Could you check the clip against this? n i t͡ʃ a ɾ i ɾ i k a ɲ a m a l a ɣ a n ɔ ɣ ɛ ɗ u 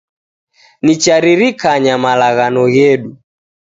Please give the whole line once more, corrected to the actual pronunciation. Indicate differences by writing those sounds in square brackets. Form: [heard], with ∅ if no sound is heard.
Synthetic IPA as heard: n i t͡ʃ a ɾ i ɾ i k a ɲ a m a l a ɣ a n ɔ ɣ ɛ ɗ u